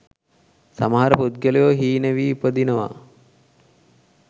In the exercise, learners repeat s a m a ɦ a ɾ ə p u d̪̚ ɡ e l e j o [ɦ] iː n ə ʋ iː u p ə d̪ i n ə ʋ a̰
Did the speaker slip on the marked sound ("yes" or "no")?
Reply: no